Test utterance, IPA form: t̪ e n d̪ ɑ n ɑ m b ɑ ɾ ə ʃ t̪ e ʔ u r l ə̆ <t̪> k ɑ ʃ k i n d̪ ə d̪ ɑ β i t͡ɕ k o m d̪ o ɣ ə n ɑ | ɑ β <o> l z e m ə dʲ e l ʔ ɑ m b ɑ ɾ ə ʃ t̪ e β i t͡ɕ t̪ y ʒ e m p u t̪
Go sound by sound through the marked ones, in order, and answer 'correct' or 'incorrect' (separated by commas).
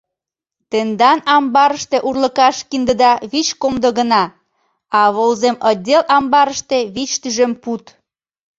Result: incorrect, correct